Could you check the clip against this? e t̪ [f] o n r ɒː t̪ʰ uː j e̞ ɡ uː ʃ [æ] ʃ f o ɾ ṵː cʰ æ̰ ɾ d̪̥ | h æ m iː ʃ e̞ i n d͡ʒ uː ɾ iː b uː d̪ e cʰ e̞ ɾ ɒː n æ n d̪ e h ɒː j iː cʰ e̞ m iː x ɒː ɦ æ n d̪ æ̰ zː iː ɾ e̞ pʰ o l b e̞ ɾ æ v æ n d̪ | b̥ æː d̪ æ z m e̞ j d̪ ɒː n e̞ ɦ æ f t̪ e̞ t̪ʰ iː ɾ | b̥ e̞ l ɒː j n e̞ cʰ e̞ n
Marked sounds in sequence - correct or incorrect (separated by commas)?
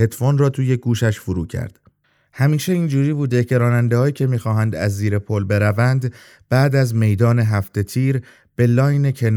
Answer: correct, correct